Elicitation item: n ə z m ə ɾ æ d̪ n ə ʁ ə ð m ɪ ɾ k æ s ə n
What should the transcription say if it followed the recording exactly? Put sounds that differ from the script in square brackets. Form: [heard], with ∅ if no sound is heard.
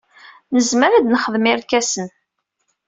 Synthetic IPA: n ə z m ə ɾ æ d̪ n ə [χ] ə ð m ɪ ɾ k æ s ə n